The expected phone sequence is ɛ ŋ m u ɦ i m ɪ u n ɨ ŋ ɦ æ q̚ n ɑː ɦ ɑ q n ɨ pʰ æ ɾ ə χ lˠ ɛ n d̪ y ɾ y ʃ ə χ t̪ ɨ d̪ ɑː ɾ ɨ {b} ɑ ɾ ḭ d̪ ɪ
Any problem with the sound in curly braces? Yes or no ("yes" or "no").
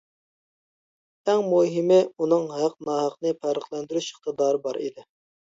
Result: no